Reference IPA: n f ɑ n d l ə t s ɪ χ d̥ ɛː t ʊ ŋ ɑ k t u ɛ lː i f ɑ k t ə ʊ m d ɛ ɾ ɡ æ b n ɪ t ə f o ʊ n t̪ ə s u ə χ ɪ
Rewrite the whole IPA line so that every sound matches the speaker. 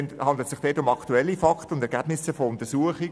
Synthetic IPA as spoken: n h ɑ n d l ə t s ɪ χ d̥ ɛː t ʊ m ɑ k t u ɛ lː i f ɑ k t ə ʊ n d ɛ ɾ ɡ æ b n ɪ s ə f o ʊ n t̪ ə s u ə χ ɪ